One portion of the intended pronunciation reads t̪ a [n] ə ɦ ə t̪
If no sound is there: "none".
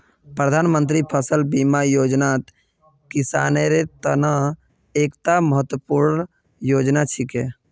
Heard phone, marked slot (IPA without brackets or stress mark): m